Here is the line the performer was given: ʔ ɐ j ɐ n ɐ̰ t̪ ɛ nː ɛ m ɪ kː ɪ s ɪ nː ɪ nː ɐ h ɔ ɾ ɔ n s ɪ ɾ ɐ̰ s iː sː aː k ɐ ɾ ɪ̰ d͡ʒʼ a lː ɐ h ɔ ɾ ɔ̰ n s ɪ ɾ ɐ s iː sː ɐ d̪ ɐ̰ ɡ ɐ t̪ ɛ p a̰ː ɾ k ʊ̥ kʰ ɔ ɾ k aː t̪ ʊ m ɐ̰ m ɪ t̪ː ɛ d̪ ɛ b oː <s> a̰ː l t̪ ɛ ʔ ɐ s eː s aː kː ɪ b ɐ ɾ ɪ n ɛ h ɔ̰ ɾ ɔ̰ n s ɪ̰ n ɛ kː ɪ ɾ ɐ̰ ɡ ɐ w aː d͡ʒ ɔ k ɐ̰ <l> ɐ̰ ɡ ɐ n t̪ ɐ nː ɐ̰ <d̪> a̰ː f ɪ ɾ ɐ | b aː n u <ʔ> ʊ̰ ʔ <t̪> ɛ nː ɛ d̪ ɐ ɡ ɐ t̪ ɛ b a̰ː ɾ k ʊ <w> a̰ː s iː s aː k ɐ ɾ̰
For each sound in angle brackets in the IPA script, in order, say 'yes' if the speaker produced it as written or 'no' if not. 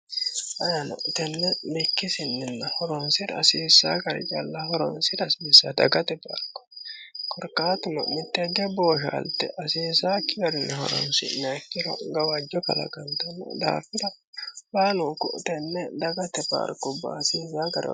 no, yes, yes, no, yes, no

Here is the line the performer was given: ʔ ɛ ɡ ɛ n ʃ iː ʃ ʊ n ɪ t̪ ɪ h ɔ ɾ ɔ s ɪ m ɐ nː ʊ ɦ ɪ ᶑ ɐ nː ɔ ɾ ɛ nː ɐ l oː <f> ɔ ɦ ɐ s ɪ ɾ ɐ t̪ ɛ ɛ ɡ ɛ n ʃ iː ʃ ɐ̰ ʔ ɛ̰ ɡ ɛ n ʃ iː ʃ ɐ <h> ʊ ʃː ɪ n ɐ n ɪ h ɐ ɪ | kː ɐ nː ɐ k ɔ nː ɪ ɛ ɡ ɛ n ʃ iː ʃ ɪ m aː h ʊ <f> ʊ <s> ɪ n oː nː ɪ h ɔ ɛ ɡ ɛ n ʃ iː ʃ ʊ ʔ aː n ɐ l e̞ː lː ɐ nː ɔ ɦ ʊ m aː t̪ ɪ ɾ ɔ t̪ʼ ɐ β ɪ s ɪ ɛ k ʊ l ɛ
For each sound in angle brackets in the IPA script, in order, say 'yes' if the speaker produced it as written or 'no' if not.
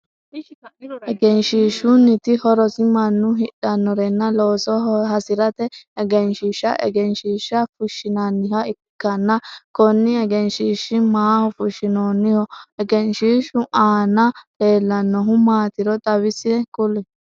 no, no, yes, no

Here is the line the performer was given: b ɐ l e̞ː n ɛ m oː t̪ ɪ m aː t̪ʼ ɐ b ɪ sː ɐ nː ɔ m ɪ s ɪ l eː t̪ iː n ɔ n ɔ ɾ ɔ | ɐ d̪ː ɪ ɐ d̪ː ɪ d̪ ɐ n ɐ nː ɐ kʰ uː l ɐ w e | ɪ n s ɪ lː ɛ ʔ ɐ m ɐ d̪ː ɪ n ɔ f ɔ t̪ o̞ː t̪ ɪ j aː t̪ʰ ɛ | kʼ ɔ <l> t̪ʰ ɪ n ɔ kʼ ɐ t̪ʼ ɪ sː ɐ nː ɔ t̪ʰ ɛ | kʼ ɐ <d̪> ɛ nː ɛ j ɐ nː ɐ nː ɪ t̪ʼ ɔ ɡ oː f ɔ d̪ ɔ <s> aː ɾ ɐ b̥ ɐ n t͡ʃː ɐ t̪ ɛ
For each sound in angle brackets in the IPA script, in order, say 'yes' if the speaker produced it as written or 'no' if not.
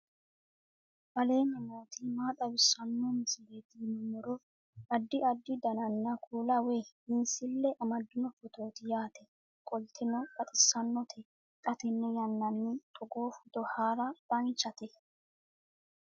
yes, no, no

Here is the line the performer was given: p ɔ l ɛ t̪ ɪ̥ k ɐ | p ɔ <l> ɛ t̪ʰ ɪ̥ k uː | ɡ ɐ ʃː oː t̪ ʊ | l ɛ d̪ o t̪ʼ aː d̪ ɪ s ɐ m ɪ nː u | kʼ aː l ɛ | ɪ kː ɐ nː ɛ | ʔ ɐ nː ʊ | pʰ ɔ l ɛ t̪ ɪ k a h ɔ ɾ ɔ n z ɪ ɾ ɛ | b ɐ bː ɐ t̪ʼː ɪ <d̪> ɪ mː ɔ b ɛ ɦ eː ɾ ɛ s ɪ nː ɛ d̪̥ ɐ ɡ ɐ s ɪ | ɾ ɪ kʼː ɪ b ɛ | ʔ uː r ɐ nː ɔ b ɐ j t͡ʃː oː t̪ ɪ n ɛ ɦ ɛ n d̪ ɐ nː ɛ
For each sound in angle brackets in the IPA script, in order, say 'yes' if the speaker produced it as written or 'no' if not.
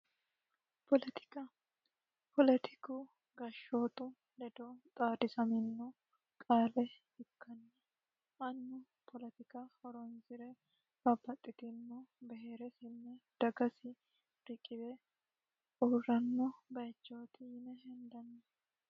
yes, no

